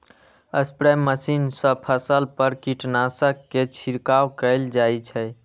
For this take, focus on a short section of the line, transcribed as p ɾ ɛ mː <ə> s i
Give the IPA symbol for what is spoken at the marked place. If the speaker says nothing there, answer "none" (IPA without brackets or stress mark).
ə